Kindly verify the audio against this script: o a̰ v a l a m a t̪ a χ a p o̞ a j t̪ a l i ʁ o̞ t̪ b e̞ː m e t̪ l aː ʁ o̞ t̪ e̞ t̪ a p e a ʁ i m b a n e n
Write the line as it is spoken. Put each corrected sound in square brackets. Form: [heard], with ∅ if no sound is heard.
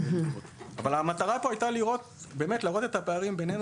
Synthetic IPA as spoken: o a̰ v a l a m a t̪ a [ʁ] a p o̞ a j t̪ a l i ʁ o̞ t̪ b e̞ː m e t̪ l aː ʁ o̞ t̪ e̞ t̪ a p e a ʁ i m b [e] n e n